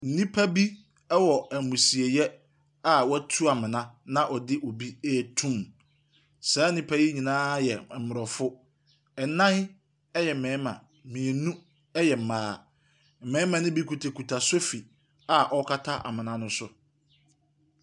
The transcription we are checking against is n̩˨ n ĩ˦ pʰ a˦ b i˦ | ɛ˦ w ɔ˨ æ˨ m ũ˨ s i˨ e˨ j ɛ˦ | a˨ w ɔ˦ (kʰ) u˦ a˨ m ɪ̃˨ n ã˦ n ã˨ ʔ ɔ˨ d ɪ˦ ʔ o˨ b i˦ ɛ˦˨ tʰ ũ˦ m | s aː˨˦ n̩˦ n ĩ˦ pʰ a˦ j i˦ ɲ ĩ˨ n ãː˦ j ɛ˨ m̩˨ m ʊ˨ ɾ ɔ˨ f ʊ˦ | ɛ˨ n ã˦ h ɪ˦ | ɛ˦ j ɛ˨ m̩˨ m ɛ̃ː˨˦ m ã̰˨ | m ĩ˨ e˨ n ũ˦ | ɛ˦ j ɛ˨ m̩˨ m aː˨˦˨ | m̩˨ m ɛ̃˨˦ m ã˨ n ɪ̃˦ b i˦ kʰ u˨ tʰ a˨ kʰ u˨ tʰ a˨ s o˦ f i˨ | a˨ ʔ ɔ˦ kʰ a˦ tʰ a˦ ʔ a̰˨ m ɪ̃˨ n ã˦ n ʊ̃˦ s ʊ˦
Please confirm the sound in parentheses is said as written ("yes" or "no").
no